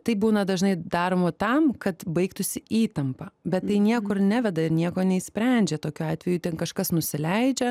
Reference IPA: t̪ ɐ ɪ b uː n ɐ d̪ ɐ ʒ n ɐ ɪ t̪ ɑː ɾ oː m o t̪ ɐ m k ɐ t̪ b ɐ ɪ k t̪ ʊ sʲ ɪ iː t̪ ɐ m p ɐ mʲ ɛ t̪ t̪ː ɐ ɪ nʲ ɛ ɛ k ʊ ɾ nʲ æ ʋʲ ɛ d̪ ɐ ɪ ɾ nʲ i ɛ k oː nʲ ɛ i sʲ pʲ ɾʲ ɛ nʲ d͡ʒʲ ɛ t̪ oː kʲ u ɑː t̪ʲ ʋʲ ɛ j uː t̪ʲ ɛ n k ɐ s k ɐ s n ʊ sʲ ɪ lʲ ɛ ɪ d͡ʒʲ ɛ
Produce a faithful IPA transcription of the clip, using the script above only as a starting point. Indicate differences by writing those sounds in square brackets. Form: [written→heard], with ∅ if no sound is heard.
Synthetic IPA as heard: t̪ ɐ ɪ b uː n ɐ d̪ ɐ ʒ n ɐ ɪ [t̪→d̪] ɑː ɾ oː m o t̪ ɐ m k ɐ t̪ b ɐ ɪ k t̪ ʊ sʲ ɪ iː t̪ ɐ m p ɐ [mʲ→bʲ] ɛ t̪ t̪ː ɐ ɪ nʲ [ɛ→i] ɛ k ʊ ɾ nʲ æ ʋʲ ɛ d̪ ɐ ɪ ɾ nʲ i ɛ k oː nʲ ɛ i sʲ pʲ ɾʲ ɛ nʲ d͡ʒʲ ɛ t̪ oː kʲ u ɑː t̪ʲ ʋʲ ɛ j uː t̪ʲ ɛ n k ɐ [s→ʃ] k ɐ s n ʊ sʲ ɪ lʲ ɛ ɪ d͡ʒʲ ɛ